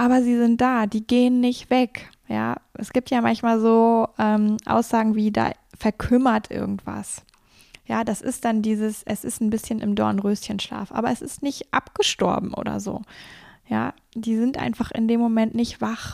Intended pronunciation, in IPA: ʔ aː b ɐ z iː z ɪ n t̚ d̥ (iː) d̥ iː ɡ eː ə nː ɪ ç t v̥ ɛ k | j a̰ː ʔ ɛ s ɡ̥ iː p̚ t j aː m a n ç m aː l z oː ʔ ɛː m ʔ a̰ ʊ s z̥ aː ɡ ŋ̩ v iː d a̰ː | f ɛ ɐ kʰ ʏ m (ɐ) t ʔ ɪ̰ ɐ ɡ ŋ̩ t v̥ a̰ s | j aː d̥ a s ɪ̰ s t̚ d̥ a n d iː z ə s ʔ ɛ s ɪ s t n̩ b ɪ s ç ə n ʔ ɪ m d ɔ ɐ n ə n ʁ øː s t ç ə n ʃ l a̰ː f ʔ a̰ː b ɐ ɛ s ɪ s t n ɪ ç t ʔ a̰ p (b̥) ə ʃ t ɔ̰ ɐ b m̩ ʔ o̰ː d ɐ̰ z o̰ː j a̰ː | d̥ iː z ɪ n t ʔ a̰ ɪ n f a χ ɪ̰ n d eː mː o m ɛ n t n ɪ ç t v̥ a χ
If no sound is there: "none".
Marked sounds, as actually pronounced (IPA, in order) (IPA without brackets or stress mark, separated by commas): aː, ɐ, ɡ̥